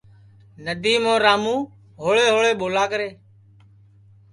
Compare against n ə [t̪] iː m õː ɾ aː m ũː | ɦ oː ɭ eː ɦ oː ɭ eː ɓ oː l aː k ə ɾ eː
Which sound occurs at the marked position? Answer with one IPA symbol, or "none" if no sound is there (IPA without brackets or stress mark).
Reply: d̪